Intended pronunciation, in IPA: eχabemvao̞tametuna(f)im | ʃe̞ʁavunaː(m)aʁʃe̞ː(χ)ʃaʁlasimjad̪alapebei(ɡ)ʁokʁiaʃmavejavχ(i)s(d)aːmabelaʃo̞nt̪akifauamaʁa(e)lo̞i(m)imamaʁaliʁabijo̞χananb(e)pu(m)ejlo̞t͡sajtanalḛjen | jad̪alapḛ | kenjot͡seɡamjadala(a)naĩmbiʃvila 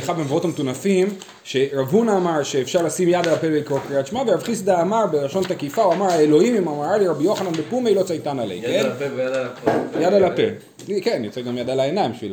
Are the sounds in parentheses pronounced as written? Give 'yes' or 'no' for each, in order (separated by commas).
yes, yes, no, no, yes, yes, yes, yes, yes, yes, no